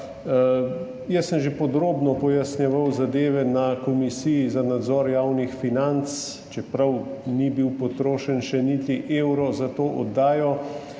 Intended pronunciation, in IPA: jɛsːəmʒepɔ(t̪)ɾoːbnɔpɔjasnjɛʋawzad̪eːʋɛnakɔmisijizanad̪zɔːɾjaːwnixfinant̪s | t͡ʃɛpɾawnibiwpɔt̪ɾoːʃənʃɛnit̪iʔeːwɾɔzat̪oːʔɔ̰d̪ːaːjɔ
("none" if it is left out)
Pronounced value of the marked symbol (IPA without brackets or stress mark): d̪